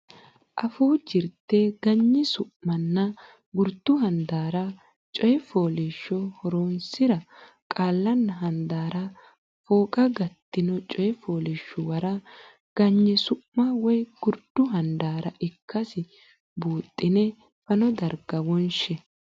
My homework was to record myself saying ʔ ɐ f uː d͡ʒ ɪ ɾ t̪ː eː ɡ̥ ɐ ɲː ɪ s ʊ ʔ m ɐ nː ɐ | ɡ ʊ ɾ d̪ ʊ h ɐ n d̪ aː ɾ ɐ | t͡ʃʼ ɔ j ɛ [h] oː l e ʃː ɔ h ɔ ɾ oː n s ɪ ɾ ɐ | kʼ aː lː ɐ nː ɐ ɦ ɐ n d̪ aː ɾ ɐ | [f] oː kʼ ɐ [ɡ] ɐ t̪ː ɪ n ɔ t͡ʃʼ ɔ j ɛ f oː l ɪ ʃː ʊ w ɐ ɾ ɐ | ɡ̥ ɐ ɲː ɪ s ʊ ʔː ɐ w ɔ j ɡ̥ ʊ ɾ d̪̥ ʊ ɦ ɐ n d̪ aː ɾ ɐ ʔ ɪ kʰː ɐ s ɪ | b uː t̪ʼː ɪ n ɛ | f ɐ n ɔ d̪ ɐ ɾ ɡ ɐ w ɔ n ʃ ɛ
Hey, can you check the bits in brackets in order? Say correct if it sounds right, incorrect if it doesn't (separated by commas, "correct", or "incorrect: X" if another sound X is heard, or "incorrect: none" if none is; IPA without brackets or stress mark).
incorrect: f, correct, correct